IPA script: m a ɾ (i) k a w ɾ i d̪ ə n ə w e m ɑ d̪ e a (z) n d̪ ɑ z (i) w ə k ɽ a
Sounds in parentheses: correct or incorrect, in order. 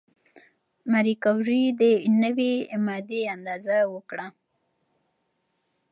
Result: correct, incorrect, incorrect

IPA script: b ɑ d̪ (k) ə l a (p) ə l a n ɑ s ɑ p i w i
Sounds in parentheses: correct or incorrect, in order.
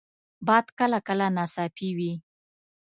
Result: correct, incorrect

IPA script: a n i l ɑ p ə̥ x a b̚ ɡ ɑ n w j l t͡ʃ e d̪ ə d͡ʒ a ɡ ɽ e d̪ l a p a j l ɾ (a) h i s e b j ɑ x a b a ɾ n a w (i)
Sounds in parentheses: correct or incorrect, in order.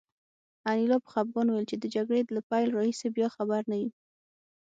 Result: incorrect, correct

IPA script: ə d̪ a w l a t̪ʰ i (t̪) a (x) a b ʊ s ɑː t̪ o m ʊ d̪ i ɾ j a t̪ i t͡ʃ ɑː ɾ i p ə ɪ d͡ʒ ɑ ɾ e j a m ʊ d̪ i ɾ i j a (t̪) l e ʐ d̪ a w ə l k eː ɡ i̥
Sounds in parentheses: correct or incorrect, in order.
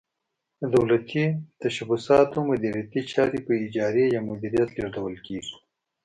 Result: correct, incorrect, correct

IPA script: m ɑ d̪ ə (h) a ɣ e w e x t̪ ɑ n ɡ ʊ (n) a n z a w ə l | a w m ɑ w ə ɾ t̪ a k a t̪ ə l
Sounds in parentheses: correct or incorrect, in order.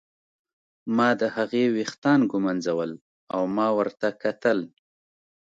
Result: correct, incorrect

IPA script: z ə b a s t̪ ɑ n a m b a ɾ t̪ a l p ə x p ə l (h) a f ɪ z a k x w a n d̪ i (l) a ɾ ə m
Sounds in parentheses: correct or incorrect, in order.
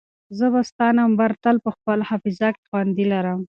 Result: correct, correct

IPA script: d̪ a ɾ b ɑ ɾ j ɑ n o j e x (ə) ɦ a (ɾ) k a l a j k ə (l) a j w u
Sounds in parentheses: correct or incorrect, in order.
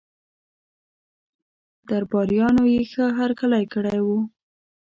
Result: correct, correct, incorrect

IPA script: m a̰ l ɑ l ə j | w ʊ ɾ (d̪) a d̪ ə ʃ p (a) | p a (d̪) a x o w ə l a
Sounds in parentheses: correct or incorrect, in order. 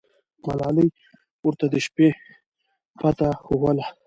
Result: incorrect, incorrect, incorrect

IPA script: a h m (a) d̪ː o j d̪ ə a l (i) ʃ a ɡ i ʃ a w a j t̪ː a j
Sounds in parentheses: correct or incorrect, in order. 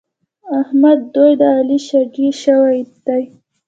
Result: correct, correct

